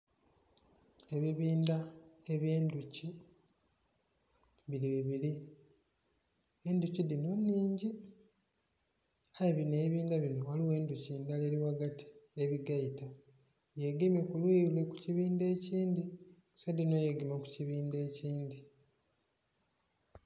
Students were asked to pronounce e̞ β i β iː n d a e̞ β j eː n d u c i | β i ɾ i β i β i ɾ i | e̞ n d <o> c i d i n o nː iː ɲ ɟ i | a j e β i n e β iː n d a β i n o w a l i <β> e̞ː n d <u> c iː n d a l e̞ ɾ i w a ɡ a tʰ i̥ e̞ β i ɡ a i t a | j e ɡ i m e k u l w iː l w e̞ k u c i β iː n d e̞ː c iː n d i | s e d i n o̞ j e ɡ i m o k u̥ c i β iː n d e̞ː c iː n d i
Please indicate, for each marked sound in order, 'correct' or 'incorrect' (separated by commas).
incorrect, incorrect, correct